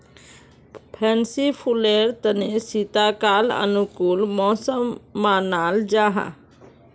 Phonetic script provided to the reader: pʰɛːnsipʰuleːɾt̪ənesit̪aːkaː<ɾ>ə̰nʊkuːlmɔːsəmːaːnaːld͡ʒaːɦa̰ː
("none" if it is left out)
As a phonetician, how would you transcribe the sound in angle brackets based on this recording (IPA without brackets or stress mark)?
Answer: l